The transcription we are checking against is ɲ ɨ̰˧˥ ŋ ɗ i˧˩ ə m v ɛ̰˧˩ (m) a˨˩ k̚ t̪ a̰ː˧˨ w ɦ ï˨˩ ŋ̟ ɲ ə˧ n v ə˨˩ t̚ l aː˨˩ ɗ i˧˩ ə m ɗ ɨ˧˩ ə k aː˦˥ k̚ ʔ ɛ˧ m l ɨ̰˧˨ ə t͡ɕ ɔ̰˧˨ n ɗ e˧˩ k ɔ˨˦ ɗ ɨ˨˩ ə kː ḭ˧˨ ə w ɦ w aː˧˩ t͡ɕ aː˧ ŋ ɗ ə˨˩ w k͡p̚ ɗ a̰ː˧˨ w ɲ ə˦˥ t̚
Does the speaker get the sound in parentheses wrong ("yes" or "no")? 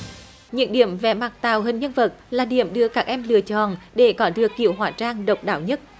no